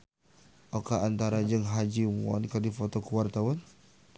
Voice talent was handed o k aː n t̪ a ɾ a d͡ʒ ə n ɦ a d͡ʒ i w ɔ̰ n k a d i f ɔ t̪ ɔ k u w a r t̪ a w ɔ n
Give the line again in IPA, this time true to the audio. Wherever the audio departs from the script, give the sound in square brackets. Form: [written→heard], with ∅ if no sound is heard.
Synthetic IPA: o k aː n t̪ a ɾ a d͡ʒ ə [n→ŋ] ɦ a d͡ʒ i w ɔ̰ n k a d i f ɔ t̪ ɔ k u w a r t̪ a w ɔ n